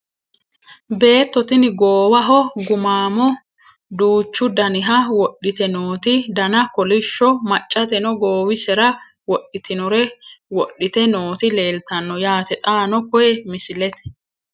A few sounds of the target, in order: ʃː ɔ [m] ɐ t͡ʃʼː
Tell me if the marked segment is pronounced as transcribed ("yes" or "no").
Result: yes